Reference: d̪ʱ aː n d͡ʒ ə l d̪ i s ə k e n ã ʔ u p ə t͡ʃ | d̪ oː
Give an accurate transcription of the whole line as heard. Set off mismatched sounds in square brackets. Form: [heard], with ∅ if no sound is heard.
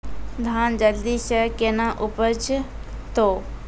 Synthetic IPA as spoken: d̪ʱ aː n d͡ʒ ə l d̪ i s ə k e n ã ʔ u p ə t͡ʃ | [t̪] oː

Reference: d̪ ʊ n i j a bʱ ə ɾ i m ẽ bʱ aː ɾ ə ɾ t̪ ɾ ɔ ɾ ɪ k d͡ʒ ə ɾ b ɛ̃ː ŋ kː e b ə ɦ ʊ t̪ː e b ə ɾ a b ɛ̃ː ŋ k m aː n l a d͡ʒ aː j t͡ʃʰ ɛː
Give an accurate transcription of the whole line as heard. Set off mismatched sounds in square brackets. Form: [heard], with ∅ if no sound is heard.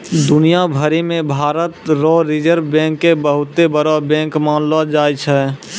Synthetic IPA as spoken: d̪ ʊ n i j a bʱ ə ɾ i m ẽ bʱ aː ɾ ə [∅] t̪ ɾ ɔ ɾ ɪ [∅] d͡ʒ ə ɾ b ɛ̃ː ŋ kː e b ə ɦ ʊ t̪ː e b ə ɾ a b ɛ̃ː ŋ k m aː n l a d͡ʒ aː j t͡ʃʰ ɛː

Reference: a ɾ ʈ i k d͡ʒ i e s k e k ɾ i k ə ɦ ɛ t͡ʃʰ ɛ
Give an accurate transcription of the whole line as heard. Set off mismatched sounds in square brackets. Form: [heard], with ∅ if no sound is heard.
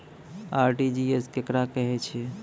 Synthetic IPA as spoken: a ɾ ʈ i [∅] d͡ʒ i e s k e k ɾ [a] k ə ɦ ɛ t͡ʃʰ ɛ

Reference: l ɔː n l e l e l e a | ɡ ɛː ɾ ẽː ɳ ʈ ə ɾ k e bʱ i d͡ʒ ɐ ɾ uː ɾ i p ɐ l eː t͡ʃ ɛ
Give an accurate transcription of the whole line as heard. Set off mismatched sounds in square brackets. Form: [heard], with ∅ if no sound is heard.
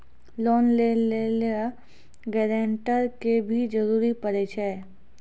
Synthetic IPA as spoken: l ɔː n l e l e l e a | ɡ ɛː ɾ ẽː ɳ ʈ ə ɾ k e bʱ i d͡ʒ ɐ ɾ uː ɾ i p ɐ [ɾ] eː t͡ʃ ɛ

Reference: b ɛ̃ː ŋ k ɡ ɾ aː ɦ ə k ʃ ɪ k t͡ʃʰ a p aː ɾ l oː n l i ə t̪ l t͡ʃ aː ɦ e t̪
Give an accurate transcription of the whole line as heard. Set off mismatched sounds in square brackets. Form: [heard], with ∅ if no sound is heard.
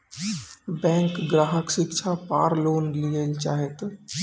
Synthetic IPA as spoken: b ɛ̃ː ŋ k ɡ ɾ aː ɦ ə k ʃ ɪ k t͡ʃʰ a p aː ɾ l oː n l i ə [∅] l t͡ʃ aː ɦ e t̪

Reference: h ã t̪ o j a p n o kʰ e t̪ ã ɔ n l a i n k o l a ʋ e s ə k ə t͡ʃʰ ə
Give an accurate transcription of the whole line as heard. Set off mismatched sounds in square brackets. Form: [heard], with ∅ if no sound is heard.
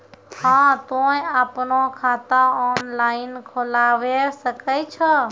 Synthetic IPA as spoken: h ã t̪ o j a p n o kʰ [a] t̪ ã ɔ n l a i n [kʰ] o l a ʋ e s ə k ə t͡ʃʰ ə

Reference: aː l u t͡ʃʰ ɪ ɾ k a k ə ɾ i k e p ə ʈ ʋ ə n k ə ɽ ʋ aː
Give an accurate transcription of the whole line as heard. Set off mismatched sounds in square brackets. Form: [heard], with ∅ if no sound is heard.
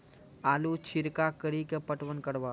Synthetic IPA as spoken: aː l u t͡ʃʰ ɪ ɾ k a k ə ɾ i k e p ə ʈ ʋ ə n k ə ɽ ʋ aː

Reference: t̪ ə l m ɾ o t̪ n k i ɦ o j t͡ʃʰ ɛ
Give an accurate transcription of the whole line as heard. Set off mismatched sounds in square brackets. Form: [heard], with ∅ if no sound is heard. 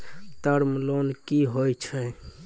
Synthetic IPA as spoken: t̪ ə [ɾ] m [l] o [∅] n k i ɦ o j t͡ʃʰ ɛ

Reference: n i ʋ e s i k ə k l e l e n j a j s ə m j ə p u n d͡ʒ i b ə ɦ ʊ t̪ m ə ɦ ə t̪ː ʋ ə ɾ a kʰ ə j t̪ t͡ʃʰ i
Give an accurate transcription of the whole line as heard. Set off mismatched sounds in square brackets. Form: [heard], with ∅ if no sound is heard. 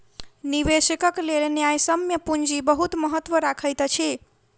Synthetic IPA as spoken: n i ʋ e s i k ə k l e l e n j a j s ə m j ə p u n d͡ʒ i b ə ɦ [u] t̪ m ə ɦ ə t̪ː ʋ ə ɾ a kʰ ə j t̪ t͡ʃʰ i

